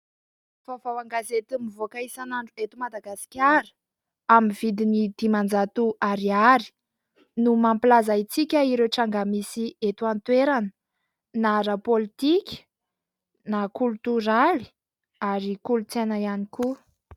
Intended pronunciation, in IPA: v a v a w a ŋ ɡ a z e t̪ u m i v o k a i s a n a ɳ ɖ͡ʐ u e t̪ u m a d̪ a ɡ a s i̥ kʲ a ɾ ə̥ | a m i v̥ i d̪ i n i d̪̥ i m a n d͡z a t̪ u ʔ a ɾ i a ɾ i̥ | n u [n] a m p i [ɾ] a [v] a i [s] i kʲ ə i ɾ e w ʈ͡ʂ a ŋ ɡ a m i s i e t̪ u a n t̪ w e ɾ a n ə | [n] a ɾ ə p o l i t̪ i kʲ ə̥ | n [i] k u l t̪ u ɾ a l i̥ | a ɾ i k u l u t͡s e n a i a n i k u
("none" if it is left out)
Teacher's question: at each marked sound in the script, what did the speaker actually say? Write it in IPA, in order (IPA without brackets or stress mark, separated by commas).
m, l, z, t͡s, n, a